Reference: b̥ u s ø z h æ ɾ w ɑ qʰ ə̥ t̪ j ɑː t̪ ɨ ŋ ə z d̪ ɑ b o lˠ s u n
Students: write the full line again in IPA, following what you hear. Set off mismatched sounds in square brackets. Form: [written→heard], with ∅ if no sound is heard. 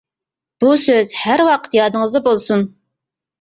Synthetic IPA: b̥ u s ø z h æ ɾ w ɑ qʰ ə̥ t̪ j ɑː [t̪→d̪] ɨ ŋ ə z d̪ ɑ b o lˠ s u n